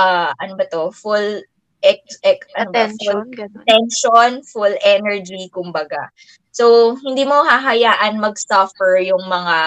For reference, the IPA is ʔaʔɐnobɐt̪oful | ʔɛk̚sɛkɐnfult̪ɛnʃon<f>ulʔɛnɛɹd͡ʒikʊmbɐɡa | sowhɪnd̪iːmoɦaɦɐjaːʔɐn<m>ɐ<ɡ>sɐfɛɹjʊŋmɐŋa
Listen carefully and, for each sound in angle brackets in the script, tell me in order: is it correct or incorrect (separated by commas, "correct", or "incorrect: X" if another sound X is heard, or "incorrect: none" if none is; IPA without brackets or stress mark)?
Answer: correct, correct, correct